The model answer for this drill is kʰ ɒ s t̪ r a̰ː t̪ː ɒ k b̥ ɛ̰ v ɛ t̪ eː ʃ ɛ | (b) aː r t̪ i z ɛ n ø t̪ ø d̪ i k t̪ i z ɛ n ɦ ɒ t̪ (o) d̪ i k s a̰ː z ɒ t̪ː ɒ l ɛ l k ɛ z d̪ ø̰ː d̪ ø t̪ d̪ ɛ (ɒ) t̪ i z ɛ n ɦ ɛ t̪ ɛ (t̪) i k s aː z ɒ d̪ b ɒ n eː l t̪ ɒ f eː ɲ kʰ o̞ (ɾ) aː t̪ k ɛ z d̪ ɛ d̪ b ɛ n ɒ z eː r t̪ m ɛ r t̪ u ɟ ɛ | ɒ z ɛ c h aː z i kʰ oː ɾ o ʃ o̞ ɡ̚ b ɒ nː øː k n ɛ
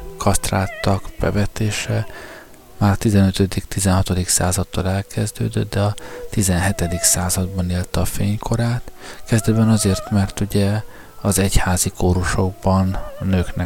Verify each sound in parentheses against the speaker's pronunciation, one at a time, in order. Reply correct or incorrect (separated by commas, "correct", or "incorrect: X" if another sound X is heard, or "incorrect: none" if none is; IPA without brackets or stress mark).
incorrect: m, correct, correct, incorrect: d̪, correct